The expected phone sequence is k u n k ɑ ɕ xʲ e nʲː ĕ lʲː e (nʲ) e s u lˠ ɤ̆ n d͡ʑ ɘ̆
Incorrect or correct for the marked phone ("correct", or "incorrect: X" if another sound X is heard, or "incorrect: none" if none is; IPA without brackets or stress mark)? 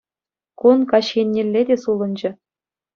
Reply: incorrect: dʲ